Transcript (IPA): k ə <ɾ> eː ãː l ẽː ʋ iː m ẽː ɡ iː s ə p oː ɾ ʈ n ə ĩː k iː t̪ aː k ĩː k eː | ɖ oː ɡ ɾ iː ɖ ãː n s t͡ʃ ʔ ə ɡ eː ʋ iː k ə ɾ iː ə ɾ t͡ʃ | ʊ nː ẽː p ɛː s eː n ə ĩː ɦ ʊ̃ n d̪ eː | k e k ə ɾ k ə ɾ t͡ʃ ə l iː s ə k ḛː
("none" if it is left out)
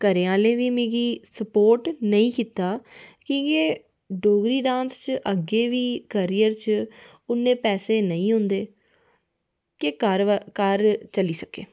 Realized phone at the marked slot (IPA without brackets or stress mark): ɾ